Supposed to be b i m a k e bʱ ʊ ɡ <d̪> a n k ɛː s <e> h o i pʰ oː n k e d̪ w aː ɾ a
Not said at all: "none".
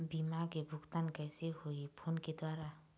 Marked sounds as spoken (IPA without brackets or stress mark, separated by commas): t̪, e